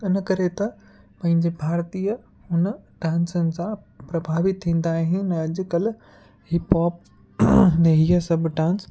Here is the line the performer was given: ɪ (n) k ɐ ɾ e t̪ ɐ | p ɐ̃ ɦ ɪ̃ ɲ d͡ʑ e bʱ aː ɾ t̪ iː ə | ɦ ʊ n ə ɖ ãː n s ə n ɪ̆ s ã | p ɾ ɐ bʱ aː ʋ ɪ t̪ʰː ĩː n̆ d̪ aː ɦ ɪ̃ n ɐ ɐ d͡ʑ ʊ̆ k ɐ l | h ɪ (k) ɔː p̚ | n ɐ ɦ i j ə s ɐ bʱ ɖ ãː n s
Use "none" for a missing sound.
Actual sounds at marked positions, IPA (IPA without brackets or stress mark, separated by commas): n, p